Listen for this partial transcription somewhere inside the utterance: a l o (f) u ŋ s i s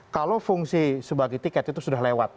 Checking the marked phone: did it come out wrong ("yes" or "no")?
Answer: no